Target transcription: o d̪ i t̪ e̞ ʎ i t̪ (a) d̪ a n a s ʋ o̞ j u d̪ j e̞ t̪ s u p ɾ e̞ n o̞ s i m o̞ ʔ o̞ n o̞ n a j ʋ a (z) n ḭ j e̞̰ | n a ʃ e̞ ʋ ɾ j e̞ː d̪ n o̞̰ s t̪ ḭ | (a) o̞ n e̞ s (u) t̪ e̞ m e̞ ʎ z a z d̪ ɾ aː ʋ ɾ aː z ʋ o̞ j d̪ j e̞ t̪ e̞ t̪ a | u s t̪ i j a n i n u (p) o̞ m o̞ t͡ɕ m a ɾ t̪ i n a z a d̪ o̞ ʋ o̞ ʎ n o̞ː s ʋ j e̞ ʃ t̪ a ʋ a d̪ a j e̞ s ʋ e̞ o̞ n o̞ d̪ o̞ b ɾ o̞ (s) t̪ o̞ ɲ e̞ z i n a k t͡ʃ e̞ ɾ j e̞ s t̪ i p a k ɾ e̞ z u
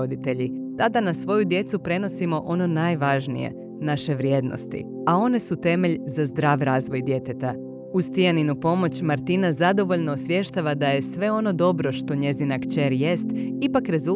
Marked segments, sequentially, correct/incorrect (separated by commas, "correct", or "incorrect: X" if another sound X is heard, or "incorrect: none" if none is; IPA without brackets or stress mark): correct, incorrect: ʒ, correct, correct, correct, incorrect: ʃ